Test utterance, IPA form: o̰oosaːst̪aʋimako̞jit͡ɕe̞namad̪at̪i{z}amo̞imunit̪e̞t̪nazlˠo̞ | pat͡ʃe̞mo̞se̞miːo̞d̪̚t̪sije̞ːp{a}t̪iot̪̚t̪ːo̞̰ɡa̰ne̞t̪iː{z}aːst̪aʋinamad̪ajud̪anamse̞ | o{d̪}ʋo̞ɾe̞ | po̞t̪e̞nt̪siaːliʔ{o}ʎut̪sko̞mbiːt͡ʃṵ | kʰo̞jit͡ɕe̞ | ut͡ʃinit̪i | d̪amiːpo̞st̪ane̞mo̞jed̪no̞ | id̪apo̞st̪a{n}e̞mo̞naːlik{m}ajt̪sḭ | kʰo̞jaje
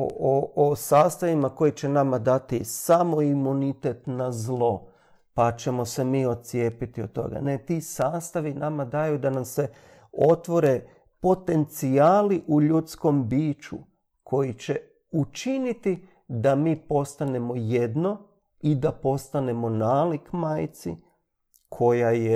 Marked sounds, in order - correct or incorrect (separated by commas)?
incorrect, incorrect, incorrect, incorrect, incorrect, correct, correct